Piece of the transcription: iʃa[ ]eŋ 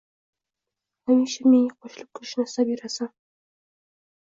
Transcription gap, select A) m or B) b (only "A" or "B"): A